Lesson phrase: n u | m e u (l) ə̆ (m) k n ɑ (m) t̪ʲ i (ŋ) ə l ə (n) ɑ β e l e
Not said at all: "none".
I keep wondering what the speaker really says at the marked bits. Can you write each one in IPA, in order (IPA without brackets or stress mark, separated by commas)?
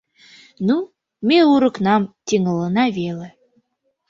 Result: ɾ, none, m, ŋ, n